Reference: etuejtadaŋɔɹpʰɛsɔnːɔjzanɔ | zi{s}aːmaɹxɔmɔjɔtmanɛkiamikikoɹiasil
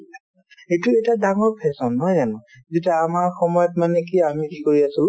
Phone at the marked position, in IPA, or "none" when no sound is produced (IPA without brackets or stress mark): t